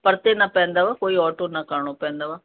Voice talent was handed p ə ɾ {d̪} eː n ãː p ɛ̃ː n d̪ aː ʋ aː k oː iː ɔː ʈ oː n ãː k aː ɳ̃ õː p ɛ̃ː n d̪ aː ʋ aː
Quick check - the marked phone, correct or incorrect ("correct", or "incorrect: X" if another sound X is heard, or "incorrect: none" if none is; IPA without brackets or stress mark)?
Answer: incorrect: t̪